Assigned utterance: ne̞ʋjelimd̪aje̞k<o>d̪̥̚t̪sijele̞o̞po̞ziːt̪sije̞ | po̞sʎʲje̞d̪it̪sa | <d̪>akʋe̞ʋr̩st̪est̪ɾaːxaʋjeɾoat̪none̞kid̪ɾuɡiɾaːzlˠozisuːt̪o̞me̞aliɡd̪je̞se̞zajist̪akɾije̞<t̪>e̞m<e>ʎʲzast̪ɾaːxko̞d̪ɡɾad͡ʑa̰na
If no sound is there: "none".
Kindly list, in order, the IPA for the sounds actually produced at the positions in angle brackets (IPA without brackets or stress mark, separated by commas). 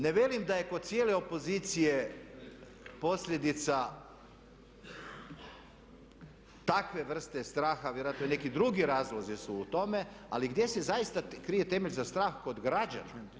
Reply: o, t̪, t̪, e